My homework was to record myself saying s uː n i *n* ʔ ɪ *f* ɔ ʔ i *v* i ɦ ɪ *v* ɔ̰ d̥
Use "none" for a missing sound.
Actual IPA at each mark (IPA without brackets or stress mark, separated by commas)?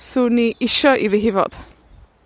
none, ʃ, ð, v